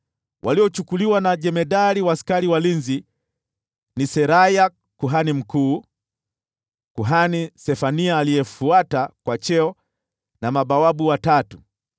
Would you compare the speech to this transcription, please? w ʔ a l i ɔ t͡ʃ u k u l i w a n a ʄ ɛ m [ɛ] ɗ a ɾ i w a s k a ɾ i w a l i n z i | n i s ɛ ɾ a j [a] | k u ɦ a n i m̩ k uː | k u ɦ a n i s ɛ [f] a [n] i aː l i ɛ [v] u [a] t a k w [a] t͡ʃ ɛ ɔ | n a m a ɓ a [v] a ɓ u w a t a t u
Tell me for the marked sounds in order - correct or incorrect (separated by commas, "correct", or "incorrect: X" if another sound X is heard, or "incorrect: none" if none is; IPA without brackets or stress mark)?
correct, correct, correct, correct, incorrect: f, correct, correct, incorrect: w